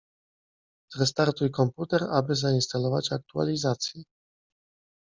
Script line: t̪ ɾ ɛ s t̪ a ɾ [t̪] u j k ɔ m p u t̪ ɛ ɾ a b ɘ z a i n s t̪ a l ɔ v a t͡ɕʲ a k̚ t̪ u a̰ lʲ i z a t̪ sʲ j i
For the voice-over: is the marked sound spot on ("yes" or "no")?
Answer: yes